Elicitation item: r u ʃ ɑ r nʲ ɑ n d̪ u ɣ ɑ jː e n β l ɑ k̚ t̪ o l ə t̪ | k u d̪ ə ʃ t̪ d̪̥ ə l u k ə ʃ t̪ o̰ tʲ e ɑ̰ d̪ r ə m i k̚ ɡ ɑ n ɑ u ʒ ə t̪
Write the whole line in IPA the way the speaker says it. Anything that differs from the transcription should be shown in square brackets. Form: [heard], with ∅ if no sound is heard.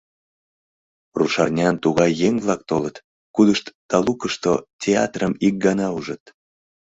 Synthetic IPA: r u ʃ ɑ r nʲ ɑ n [t̪] u ɣ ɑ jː e [ŋ] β l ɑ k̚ t̪ o l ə t̪ | k u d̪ ə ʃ t̪ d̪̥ [ɑ] l u k ə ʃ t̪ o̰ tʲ e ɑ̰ [t̪] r ə m i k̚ ɡ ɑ n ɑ u ʒ ə t̪